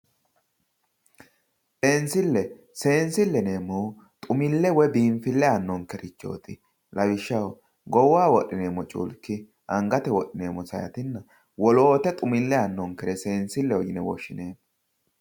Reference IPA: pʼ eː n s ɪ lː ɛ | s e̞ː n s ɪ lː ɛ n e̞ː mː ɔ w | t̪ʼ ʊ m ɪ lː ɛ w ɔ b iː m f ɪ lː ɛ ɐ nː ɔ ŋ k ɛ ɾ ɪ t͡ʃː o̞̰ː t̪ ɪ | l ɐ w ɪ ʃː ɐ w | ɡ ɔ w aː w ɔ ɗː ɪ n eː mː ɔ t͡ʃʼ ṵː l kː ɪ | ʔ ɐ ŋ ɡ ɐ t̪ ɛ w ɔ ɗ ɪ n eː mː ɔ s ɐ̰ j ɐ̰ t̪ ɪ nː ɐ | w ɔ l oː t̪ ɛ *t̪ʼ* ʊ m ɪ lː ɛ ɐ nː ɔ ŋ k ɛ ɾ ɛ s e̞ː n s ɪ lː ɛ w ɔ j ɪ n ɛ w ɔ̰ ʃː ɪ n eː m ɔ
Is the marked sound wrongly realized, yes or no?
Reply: no